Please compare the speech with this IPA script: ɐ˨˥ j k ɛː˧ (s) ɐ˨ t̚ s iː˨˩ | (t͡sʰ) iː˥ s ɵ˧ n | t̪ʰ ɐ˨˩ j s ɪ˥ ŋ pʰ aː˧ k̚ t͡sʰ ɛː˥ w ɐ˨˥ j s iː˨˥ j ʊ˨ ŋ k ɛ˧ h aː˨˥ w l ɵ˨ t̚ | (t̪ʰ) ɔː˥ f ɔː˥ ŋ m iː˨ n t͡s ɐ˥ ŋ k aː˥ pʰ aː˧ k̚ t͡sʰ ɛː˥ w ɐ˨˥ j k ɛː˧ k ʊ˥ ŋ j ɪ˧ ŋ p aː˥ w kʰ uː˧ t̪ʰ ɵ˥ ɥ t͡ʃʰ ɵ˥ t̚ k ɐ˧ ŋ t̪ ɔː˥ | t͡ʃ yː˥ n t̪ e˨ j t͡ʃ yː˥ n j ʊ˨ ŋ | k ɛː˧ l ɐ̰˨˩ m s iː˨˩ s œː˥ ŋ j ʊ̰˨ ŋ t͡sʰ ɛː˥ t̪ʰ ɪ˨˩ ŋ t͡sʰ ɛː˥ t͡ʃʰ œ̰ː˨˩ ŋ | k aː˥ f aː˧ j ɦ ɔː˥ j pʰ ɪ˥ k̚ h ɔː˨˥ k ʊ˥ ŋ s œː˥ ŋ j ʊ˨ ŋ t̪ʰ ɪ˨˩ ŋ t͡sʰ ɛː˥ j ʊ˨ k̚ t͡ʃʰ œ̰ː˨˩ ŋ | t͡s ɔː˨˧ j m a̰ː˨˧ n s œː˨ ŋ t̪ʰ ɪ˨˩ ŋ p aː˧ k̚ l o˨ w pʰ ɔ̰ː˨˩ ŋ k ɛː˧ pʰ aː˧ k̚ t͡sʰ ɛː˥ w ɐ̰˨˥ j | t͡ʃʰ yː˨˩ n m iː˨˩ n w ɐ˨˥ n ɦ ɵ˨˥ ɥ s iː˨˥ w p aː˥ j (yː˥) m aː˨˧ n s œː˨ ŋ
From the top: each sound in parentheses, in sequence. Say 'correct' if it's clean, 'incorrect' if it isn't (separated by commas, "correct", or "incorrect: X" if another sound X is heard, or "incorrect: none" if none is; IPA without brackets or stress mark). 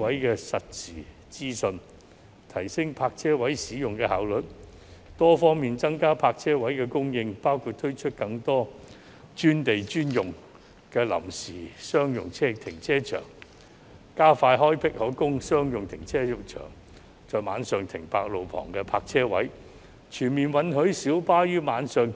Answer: correct, incorrect: t͡s, incorrect: t̪, correct